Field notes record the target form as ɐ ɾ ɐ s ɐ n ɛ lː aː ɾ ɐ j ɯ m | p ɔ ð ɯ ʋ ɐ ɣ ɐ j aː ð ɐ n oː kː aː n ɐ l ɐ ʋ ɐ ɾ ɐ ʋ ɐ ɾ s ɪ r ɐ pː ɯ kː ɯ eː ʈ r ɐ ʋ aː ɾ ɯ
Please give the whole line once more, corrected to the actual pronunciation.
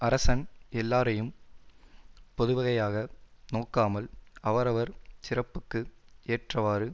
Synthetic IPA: ɐ ɾ ɐ s ɐ n ɛ lː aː ɾ ɐ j ɯ m | p ɔ ð ɯ ʋ ɐ ɣ ɐ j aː ɣ ɐ n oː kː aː m ɐ l ɐ ʋ ɐ ɾ ɐ ʋ ɐ ɾ s ɪ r ɐ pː ɯ kː ɯ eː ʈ r ɐ ʋ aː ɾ ɯ